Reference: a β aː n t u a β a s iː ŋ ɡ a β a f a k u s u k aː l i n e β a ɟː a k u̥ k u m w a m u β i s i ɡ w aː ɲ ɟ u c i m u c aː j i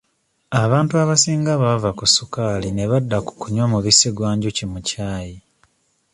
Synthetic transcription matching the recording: a β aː n t u a β a s iː ŋ ɡ a β a v a k u s u k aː l i n e β a dː a k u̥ k u ɲ w a m u β i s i ɡ w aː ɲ ɟ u c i m u c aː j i

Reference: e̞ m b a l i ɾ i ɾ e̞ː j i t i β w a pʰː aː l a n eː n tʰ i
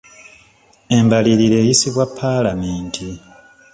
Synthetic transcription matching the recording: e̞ m b a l i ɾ i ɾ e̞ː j i s i β w a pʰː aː l a m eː n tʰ i

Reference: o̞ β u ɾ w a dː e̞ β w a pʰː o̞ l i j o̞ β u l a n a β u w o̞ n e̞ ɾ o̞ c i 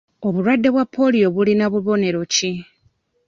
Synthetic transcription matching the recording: o̞ β u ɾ w a dː e̞ β w a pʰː o̞ l i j o̞ β u l i n a β u β o̞ n e̞ ɾ o̞ c i

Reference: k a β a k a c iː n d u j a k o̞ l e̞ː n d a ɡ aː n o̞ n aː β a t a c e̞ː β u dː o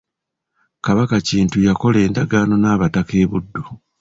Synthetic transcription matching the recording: k a β a k a c iː n t u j a k o̞ l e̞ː n d a ɡ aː n o̞ n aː β a t a k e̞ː β u dː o

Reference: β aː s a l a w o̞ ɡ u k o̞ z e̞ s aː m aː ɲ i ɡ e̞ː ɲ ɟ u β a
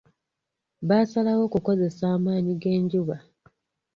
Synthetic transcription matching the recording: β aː s a l a w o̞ k u k o̞ z e̞ s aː m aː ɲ i ɡ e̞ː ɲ ɟ u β a

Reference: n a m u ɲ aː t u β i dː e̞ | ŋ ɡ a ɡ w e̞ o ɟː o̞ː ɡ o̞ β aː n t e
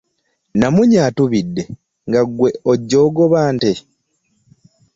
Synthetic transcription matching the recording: n a m u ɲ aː t u β i dː e̞ | ŋ ɡ a ɡ w e̞ o ɟː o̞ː ɡ o̞ β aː n t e

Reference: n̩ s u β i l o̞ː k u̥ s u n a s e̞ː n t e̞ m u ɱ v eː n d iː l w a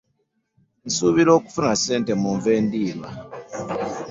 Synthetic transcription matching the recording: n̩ s u β i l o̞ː k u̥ f u n a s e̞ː n t e̞ m u ɱ v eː n d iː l w a

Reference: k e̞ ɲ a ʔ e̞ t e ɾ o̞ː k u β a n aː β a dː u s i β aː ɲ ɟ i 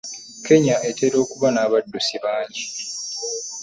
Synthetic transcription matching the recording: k e̞ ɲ a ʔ e̞ t e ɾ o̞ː k u β a n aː β a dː u s i β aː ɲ ɟ i

